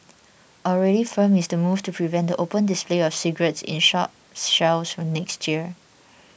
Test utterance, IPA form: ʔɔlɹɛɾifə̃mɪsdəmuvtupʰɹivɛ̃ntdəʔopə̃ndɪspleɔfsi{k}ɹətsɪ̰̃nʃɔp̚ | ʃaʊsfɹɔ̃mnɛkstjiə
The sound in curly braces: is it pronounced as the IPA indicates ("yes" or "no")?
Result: no